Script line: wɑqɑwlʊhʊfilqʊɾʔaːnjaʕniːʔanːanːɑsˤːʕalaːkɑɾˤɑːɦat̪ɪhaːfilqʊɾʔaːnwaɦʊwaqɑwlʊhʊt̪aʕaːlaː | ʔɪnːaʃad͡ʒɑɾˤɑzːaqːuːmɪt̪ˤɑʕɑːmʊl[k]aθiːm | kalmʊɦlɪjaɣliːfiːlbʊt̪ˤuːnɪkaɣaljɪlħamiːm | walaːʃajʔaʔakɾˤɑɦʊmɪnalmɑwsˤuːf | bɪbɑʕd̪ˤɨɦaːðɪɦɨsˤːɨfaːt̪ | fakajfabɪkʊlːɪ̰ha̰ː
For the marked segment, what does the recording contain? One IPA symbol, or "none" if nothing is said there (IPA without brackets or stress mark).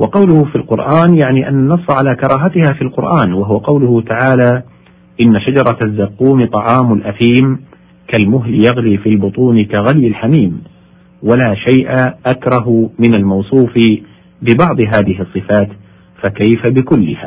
ʔ